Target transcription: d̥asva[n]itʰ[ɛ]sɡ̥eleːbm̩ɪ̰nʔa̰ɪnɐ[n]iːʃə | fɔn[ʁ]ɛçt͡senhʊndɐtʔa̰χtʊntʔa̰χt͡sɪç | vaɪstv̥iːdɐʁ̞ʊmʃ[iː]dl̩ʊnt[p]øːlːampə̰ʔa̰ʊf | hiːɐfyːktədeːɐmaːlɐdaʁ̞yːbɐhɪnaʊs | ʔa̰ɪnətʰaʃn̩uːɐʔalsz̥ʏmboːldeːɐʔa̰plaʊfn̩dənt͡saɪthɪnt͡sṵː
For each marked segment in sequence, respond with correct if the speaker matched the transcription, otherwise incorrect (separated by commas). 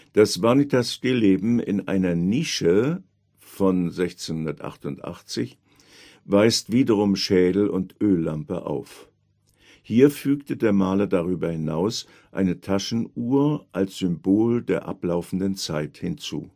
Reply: correct, incorrect, correct, incorrect, incorrect, incorrect